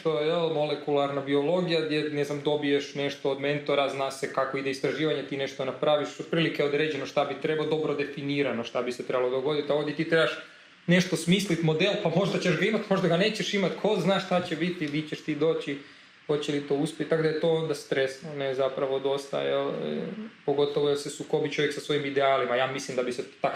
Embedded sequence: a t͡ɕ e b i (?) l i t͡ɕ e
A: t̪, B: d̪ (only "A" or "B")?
A